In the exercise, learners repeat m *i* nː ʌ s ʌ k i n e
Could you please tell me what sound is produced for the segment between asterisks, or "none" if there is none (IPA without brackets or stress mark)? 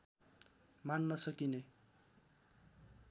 a